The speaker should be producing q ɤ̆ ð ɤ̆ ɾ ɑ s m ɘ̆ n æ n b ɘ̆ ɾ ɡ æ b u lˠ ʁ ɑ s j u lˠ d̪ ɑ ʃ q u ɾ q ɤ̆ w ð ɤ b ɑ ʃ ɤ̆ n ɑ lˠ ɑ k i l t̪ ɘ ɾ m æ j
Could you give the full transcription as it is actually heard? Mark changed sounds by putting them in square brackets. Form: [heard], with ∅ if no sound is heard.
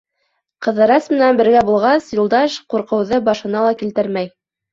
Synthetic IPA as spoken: q ɤ̆ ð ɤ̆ ɾ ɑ s m ɘ̆ n æ n b ɘ̆ ɾ ɡ æ b u lˠ ʁ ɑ s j u lˠ d̪ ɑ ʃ q u ɾ q ɤ̆ w ð ɤ b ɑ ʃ ɤ̆ n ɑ lˠ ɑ k i l t̪ ɘ ɾ m æ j